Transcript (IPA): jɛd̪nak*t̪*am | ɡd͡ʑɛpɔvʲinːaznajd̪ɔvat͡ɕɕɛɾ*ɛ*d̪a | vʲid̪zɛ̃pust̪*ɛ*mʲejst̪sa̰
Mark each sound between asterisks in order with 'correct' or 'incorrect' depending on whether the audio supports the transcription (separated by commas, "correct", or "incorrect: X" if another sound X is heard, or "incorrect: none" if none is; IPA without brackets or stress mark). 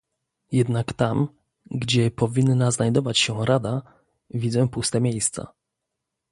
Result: correct, incorrect: a, correct